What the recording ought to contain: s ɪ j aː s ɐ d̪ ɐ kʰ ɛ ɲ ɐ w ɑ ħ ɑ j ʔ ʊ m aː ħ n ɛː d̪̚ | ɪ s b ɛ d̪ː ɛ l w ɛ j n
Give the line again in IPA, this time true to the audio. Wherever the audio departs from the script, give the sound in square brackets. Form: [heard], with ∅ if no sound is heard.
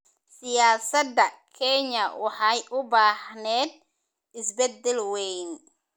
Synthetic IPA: s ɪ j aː s ɐ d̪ ɐ kʰ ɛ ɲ ɐ w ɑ ħ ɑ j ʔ ʊ [b] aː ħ n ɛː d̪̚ | ɪ s b ɛ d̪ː ɛ l w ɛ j n